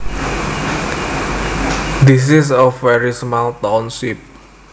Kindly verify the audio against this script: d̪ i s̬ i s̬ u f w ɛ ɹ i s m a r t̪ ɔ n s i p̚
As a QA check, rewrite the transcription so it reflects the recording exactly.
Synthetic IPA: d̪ i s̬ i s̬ ɔ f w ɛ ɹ i s m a l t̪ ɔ n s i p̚